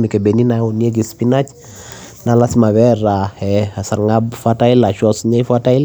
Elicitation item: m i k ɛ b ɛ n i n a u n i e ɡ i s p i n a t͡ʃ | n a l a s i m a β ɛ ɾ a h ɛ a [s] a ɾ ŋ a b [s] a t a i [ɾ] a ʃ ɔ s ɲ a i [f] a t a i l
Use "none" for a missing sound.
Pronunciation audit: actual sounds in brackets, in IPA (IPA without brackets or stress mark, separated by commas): s, f, l, f